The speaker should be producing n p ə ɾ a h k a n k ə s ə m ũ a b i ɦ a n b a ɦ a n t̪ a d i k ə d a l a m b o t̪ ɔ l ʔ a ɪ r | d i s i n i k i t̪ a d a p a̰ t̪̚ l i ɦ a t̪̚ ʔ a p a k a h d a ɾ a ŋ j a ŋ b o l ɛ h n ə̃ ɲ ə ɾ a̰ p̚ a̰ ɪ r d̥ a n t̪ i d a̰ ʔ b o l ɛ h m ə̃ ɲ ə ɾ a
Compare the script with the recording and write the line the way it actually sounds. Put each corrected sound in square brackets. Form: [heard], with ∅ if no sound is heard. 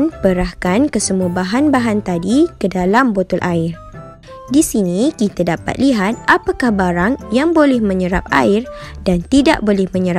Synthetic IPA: n p ə ɾ a h k a n k ə s ə m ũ a b [a] ɦ a n b a ɦ a n t̪ a d i k ə d a l a m b o t̪ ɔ l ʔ a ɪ r | d i s i n i k i t̪ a d a p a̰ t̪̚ l i ɦ a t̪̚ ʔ a p a k a h [b] a ɾ a ŋ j a ŋ b o l ɛ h [m] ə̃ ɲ ə ɾ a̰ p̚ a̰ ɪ r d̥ a n t̪ i d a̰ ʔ b o l ɛ h m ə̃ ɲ ə ɾ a